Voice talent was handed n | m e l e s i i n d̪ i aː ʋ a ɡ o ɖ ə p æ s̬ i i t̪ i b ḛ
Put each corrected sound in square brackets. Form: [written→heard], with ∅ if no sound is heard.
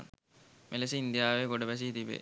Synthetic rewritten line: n | m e l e s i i n d̪ [i→j] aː ʋ [a→e] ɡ o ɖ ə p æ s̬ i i t̪ i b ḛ